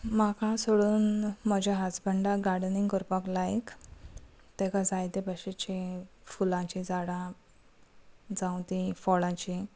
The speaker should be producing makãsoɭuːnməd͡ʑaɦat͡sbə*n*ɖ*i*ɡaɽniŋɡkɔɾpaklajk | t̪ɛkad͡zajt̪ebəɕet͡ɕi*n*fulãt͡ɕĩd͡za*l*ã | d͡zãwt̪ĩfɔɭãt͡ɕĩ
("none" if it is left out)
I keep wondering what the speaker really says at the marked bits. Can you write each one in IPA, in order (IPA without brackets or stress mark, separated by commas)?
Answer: ɳ, a, none, ɽ